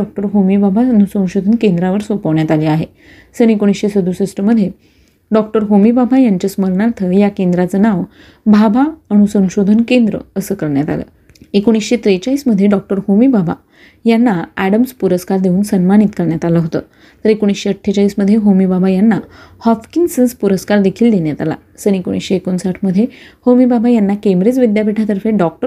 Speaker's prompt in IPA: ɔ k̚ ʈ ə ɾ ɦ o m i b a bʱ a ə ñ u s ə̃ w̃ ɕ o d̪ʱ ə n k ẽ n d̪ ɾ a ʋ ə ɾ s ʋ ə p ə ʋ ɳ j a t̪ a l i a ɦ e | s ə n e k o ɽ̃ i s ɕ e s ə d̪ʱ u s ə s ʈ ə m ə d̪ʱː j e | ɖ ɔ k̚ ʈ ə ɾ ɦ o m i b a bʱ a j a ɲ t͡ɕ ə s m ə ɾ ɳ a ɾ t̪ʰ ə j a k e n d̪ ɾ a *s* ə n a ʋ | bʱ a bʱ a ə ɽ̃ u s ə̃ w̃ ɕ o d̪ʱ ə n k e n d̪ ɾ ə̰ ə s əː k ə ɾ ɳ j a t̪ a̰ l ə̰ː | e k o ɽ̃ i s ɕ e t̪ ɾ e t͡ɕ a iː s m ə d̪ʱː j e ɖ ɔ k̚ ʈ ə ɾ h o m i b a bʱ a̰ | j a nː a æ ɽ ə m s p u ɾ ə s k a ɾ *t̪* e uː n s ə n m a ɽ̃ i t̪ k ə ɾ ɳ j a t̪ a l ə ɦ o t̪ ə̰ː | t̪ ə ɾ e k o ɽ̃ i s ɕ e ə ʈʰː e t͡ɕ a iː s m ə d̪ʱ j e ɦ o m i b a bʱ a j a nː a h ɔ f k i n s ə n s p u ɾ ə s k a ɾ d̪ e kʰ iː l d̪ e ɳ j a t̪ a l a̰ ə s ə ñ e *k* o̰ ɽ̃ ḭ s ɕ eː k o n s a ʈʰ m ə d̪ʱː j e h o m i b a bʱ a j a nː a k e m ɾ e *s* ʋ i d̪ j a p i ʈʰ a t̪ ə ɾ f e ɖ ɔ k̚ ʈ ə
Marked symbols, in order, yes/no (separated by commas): no, no, yes, no